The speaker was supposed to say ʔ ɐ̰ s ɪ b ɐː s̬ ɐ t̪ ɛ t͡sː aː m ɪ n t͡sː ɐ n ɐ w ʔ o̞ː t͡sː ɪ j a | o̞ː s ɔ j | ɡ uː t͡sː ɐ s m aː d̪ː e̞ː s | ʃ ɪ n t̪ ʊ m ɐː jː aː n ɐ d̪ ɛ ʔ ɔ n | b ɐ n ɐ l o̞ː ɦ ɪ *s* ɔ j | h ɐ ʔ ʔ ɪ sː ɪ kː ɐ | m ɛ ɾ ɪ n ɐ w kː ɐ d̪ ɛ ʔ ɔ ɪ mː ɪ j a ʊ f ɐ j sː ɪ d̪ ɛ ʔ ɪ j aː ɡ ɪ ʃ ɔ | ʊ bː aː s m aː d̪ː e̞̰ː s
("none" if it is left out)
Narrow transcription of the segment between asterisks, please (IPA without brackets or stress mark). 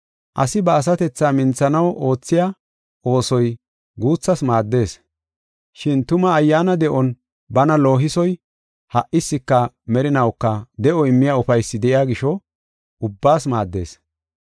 s